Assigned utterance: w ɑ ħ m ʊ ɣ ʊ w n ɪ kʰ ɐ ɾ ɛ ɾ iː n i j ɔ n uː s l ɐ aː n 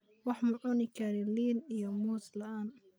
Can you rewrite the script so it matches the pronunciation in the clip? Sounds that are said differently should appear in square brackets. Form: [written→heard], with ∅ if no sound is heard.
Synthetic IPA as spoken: w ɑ ħ m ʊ [ɣ→ʕ] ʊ [w→∅] n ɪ kʰ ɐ ɾ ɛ [ɾ→l] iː n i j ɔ [n→m] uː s l ɐ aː n